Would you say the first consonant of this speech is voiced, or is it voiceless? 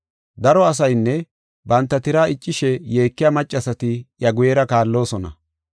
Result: voiced